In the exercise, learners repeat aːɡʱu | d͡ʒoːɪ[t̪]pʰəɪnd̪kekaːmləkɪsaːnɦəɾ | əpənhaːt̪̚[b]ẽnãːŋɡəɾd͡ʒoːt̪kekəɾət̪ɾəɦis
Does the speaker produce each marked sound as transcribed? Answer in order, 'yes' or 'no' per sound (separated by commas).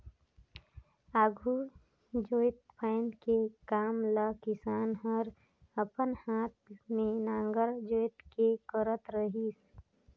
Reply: yes, no